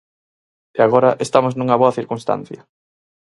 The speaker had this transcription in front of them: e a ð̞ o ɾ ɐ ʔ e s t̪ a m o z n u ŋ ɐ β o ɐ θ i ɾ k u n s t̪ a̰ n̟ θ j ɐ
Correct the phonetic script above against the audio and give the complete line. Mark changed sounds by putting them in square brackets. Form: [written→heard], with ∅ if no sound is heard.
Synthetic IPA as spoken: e a [ð̞→ɣ̞] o ɾ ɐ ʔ e s t̪ a m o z n u ŋ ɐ β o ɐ θ i ɾ k u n s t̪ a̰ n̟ θ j ɐ